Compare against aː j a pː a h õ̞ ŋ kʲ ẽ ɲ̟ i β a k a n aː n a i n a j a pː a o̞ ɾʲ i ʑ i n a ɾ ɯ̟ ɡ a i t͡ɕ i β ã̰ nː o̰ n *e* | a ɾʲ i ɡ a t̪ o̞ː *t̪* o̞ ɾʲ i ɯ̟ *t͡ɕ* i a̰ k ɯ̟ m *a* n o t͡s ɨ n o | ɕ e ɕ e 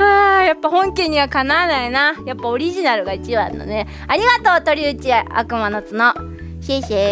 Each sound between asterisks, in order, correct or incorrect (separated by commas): correct, correct, correct, correct